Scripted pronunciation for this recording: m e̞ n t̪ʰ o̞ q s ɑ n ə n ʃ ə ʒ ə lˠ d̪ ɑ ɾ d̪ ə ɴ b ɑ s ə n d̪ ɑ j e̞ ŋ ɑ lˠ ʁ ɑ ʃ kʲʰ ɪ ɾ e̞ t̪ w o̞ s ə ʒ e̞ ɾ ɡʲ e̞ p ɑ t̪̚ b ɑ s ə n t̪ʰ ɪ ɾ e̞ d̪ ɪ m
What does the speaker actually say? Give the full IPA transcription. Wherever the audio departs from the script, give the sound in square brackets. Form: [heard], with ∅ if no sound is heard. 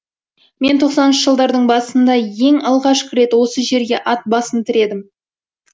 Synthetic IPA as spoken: m e̞ n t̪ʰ o̞ q s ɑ n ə n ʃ ə ʒ ə lˠ d̪ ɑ ɾ d̪ ə ɴ b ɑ s ə n d̪ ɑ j e̞ ŋ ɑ lˠ ʁ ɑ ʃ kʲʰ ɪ ɾ e̞ t̪ w o̞ s ə ʒ e̞ ɾ ɡʲ e̞ [ʔ] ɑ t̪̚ b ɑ s ə n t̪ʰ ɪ ɾ e̞ d̪ ɪ m

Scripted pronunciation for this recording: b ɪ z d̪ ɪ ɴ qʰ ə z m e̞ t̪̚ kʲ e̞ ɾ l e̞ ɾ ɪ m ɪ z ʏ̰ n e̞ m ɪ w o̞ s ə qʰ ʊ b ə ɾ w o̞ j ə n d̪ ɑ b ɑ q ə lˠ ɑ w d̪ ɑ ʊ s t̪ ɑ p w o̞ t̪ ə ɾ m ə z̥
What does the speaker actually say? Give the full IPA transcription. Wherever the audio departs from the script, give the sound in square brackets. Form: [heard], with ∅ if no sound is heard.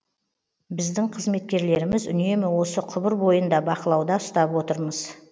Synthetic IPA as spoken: b ɪ z d̪ ɪ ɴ qʰ ə z m e̞ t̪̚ kʲ e̞ ɾ l e̞ ɾ ɪ m ɪ z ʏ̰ n e̞ m ɪ w o̞ s ə qʰ ʊ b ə ɾ [b] o̞ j ə n d̪ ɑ b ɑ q ə lˠ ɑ w d̪ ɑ ʊ s t̪ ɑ p w o̞ t̪ ə ɾ m ə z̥

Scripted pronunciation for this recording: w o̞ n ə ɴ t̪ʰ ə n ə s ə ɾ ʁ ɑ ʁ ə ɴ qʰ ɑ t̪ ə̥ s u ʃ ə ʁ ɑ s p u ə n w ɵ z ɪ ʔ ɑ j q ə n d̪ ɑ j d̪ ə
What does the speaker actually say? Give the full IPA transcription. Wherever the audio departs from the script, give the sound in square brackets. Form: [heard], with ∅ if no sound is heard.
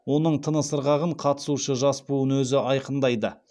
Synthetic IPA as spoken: w o̞ n ə ɴ t̪ʰ ə n ə s ə ɾ ʁ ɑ ʁ ə ɴ qʰ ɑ t̪ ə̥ s u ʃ ə [ʒ] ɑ s p u ə n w ɵ z ɪ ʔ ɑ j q ə n d̪ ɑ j d̪ ə

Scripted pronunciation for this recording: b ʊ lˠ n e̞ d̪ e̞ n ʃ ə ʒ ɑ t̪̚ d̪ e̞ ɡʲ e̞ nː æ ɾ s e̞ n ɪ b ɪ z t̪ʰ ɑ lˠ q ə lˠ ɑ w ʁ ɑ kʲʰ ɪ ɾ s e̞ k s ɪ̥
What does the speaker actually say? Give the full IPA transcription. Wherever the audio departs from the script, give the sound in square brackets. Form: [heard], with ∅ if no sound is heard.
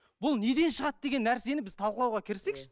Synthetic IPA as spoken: b ʊ lˠ n e̞ d̪ e̞ n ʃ ə [ʁ] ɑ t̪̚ d̪ e̞ ɡʲ e̞ nː æ ɾ s e̞ n ɪ b ɪ z t̪ʰ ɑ lˠ q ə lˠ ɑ w ʁ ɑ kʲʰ ɪ ɾ s e̞ k [ʃ] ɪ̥

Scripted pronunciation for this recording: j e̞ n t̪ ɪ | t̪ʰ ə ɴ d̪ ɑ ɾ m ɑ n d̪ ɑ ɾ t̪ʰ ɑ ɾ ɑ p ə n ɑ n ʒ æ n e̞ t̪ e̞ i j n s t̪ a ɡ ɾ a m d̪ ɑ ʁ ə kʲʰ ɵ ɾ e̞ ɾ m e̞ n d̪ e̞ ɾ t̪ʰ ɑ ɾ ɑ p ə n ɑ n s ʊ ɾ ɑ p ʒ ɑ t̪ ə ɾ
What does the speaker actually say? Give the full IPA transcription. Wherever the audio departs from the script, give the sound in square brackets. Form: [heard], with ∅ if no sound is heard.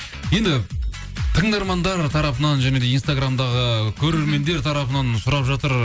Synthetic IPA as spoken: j e̞ n [d̪] ɪ | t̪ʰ ə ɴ d̪ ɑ ɾ m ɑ n d̪ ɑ ɾ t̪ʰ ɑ ɾ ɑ p ə n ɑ n ʒ æ n e̞ [d̪] e̞ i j n s t̪ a ɡ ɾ a m d̪ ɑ ʁ ə kʲʰ ɵ ɾ e̞ ɾ m e̞ n d̪ e̞ ɾ t̪ʰ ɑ ɾ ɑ p ə n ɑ n s ʊ ɾ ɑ p ʒ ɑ t̪ ə ɾ

